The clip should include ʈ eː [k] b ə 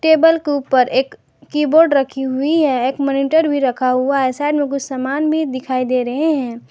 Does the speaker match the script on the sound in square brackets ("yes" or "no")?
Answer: no